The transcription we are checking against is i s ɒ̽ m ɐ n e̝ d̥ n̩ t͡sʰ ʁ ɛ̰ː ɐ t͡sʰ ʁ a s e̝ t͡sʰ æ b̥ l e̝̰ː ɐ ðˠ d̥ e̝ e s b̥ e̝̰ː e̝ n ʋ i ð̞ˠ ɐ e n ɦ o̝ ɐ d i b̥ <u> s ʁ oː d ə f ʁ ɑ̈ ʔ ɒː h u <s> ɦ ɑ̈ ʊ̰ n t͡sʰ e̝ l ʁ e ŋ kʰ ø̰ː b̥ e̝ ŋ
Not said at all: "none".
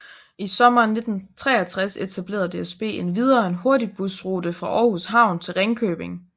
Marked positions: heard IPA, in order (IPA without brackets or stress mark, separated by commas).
u, s